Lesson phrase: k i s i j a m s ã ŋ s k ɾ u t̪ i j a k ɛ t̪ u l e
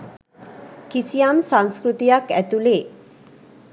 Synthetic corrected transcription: k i s i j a m s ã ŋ s k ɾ u t̪ i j a k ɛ t̪ u l e